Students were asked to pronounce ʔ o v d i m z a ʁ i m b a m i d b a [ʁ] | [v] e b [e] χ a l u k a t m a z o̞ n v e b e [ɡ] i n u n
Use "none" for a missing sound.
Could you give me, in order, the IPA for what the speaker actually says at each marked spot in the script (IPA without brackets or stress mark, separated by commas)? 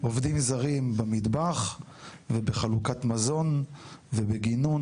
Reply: χ, v, e, ɡ